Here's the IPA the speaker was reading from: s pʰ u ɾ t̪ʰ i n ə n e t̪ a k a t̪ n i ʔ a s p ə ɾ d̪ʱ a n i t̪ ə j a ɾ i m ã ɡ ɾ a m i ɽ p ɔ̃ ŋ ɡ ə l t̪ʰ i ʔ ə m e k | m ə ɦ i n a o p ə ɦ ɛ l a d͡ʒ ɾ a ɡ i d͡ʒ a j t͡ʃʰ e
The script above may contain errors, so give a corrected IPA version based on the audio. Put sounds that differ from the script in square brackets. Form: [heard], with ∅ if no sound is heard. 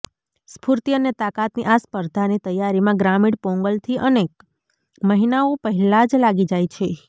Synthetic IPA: s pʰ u ɾ [t̪] i [∅] ə n e t̪ a k a t̪ n i ʔ a s p ə ɾ d̪ʱ a n i t̪ ə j a ɾ i m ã ɡ ɾ a m i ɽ p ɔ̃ ŋ ɡ ə l t̪ʰ i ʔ ə [n] e k | m ə ɦ i n a o p ə ɦ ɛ l a d͡ʒ [l] a ɡ i d͡ʒ a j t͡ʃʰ e